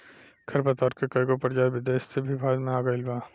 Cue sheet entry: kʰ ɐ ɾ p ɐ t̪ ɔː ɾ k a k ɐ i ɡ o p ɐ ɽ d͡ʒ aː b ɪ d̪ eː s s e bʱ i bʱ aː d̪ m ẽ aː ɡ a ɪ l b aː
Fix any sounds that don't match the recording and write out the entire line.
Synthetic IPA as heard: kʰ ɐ ɾ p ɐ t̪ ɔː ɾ k e k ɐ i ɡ o p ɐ ɾ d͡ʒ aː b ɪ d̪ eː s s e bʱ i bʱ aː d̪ m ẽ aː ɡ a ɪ l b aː